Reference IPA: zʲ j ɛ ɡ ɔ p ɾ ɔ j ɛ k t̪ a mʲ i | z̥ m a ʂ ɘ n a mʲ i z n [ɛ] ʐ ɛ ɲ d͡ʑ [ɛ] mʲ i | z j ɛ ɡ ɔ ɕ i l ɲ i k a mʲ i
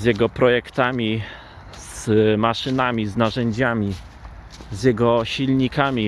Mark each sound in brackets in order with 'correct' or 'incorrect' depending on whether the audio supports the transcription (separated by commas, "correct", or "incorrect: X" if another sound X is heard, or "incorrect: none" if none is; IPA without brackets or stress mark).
incorrect: a, incorrect: a